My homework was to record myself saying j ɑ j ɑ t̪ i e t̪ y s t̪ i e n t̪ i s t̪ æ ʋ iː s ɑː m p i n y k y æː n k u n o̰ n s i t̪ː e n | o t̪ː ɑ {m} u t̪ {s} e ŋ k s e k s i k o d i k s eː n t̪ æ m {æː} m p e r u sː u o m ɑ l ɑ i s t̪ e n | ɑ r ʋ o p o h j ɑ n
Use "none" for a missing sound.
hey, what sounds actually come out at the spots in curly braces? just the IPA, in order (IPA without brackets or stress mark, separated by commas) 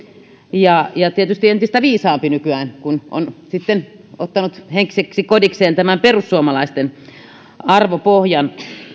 n, h, æ